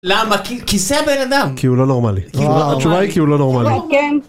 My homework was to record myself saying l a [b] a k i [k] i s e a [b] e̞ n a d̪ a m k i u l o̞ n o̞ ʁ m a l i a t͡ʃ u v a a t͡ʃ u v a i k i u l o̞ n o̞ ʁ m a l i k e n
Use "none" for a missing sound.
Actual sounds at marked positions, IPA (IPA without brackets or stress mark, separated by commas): m, k, b